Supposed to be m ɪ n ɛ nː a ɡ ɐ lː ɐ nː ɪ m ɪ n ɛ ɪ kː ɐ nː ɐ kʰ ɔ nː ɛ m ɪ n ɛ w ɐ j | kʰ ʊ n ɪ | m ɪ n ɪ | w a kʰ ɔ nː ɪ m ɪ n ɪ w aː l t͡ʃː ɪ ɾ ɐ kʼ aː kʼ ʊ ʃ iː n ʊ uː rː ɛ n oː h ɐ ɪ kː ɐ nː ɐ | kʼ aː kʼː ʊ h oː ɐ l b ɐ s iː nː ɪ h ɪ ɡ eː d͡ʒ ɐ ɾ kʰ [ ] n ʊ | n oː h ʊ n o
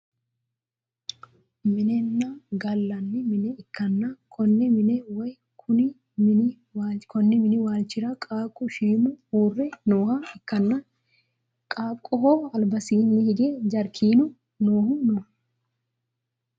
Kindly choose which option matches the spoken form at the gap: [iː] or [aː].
iː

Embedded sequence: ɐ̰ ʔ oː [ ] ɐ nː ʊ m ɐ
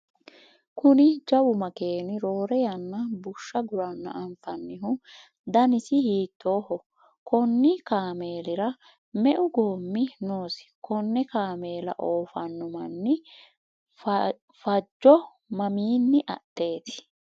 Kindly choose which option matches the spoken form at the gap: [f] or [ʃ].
f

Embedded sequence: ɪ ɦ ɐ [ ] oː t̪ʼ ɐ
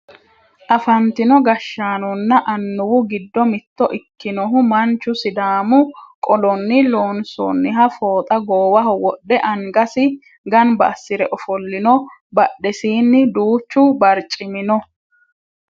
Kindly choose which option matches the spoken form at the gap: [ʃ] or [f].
f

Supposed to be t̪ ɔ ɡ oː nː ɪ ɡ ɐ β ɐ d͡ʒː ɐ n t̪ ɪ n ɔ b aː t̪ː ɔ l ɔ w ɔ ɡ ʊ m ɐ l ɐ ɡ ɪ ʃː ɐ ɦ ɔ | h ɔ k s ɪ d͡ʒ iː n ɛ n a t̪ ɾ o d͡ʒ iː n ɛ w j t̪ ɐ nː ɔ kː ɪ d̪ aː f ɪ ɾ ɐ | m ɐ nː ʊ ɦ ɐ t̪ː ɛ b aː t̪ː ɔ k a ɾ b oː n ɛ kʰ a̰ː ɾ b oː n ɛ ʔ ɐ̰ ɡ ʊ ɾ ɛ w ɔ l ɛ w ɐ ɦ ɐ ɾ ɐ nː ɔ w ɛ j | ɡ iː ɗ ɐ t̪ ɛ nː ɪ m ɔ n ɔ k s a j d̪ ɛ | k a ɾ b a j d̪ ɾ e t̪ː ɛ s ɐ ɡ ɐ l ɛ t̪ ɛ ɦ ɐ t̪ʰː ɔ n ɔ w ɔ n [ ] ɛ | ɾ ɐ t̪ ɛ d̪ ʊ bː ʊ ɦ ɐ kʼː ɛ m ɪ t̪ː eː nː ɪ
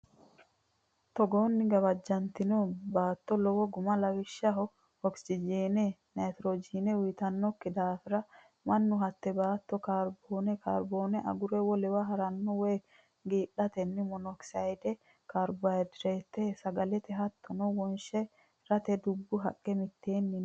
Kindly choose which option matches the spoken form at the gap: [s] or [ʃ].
ʃ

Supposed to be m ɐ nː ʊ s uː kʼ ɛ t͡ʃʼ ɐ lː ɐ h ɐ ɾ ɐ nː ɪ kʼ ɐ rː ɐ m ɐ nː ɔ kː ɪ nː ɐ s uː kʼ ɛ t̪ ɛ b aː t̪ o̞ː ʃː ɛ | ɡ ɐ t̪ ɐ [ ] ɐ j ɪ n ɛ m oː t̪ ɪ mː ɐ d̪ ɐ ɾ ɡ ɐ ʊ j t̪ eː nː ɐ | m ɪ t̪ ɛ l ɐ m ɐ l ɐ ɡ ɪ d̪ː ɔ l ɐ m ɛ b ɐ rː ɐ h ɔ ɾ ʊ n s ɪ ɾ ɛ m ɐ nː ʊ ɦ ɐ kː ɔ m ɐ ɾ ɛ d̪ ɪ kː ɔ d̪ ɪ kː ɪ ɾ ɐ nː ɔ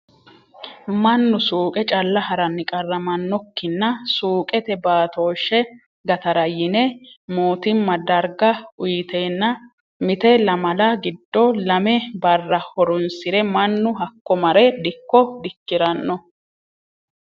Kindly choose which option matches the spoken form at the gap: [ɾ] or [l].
ɾ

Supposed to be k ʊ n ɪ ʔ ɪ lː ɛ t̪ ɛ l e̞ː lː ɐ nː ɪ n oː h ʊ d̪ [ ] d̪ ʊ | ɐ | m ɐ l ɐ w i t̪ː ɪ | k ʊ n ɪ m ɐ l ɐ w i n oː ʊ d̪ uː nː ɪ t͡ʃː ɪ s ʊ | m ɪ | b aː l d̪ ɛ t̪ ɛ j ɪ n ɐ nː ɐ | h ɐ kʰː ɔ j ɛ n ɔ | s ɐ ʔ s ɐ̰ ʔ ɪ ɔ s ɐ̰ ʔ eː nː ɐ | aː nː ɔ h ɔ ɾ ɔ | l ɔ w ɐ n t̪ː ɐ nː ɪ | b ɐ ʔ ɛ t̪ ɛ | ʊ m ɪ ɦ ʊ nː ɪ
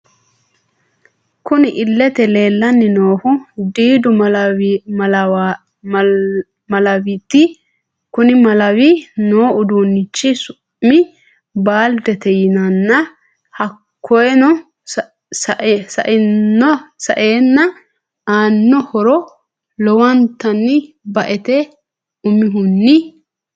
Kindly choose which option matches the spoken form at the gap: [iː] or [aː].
iː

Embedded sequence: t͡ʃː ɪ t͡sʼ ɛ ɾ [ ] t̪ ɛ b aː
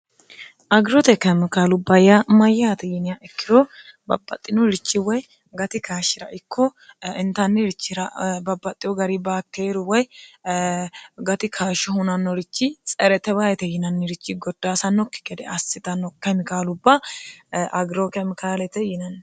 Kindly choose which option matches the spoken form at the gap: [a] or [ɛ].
ɛ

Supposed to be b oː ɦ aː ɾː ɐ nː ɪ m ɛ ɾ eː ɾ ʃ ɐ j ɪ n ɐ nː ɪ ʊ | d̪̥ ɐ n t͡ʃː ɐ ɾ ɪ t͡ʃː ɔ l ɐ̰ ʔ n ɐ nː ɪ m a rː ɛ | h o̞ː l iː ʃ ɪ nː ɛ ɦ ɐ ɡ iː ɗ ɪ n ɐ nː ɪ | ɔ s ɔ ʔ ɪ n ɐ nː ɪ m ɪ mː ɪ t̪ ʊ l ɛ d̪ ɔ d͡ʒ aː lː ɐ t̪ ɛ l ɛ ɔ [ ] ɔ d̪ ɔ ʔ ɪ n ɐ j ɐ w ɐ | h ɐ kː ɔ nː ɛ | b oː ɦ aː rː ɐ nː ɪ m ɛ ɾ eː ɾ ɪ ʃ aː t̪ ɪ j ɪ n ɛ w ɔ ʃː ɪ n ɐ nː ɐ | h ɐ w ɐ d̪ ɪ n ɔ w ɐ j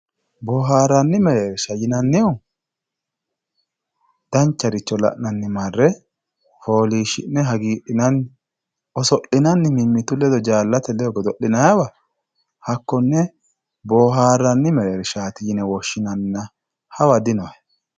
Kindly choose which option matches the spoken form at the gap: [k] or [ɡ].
ɡ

